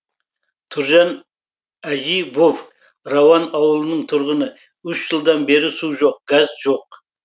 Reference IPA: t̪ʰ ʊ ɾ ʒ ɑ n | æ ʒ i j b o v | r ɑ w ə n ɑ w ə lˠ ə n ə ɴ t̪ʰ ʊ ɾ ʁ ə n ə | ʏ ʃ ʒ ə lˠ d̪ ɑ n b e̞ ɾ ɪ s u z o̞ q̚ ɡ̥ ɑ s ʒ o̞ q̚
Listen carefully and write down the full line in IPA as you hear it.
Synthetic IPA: t̪ʰ ʊ ɾ ʒ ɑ n | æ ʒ i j b o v | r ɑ w ɑ n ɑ w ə lˠ ə n ə ɴ t̪ʰ ʊ ɾ ʁ ə n ə | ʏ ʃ ʒ ə lˠ d̪ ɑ n b e̞ ɾ ɪ s u ʒ o̞ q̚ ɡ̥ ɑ z ʒ o̞ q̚